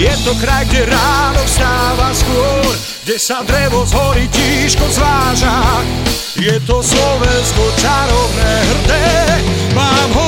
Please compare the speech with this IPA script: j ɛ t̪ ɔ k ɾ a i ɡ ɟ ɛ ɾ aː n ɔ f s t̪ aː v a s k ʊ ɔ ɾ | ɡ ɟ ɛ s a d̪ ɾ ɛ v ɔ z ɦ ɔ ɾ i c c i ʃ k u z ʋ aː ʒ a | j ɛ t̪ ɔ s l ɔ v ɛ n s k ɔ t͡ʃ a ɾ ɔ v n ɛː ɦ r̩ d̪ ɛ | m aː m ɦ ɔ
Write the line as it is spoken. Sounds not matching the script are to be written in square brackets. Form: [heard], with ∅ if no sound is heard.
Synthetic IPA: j ɛ t̪ ɔ k ɾ a [j] ɡ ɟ ɛ ɾ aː n ɔ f s t̪ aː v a s k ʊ ɔ ɾ | ɡ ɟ ɛ s a d̪ ɾ ɛ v ɔ z ɦ ɔ ɾ i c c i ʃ k [ɔ] z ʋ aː ʒ a | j ɛ t̪ ɔ s l ɔ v ɛ n s k ɔ t͡ʃ a ɾ ɔ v n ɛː ɦ r̩ d̪ ɛ | m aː m ɦ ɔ